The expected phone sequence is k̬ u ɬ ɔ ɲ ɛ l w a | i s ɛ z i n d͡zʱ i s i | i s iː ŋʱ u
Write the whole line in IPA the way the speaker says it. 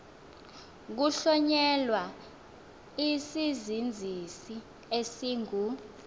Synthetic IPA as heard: k̬ u ɬ ɔ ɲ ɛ l w a | i s i z i n d͡zʱ i s i | e s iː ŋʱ u